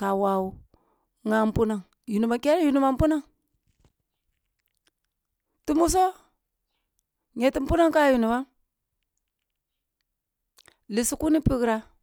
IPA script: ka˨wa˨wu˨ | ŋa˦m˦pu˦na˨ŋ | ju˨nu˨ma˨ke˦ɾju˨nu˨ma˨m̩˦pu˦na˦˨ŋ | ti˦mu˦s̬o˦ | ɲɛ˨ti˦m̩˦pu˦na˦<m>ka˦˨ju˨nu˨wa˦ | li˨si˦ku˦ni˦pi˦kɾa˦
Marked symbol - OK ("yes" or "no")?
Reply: no